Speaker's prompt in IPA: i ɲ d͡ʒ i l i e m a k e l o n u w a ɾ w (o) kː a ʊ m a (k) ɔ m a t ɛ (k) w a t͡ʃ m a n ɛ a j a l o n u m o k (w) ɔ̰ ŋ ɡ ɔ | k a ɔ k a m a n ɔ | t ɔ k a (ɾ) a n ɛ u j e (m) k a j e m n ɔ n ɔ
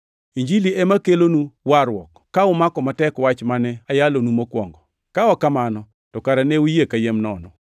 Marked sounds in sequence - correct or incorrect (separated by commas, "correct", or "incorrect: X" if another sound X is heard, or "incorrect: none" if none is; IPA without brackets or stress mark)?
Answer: incorrect: ɔ, correct, correct, correct, correct, incorrect: none